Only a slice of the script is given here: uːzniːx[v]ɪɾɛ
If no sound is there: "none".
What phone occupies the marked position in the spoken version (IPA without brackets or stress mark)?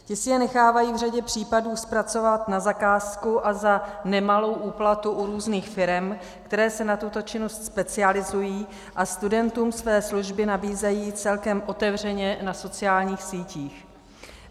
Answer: f